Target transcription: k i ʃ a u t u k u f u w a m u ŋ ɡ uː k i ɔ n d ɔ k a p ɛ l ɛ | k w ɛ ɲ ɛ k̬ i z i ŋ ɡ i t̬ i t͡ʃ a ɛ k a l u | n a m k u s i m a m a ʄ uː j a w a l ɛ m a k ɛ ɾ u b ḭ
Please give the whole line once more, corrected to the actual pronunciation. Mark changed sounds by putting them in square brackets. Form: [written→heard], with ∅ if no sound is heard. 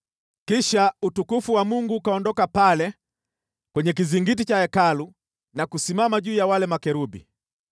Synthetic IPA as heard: k i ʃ a u t u k u f u w a m u ŋ ɡ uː k [i→a] ɔ n d ɔ k a p [ɛ→a] l ɛ | k w ɛ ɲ ɛ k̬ i z i ŋ ɡ i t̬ i t͡ʃ a ɛ k a l u | n a [m→∅] k u s i m a m a ʄ uː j a w a l ɛ m a k ɛ ɾ u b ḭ